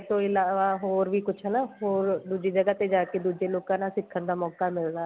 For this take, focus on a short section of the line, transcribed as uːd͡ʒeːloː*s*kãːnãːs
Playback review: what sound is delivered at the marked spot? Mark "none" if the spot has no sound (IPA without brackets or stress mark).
none